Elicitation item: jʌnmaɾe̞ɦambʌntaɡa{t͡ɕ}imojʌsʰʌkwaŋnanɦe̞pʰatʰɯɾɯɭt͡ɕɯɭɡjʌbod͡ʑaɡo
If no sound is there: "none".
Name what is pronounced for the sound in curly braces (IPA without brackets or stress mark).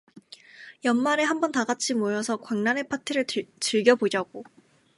t͡ɕʰ